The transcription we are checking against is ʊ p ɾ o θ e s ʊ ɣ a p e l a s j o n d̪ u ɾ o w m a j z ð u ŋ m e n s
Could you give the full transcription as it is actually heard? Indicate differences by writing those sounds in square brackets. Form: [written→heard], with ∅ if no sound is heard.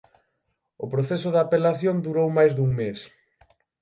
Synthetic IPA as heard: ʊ p ɾ o θ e s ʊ [ɣ→ð] a p e l a [s→θ] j o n d̪ u ɾ o w m a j z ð u ŋ m e [n→∅] s